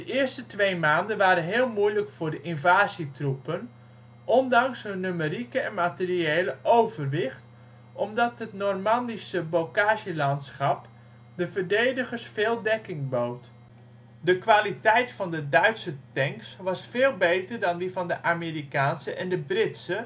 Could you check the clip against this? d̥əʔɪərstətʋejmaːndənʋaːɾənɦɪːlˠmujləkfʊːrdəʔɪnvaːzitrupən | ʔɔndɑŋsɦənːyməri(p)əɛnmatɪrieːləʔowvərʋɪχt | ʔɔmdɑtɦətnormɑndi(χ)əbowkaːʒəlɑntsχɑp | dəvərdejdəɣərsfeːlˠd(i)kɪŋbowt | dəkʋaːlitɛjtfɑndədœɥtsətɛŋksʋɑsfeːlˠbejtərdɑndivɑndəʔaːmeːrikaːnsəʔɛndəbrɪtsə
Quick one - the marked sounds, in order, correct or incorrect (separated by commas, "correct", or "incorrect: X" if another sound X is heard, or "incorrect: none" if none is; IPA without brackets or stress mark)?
incorrect: k, incorrect: s, incorrect: ɛ